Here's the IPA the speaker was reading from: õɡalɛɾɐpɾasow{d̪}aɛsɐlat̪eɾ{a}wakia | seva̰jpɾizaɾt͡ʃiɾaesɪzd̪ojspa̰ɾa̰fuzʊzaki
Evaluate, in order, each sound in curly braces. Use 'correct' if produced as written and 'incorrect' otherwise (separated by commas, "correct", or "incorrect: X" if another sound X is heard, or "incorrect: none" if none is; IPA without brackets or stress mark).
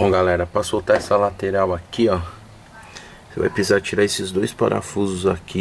incorrect: t̪, correct